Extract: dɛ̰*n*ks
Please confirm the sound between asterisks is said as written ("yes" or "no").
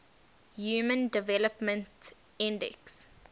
no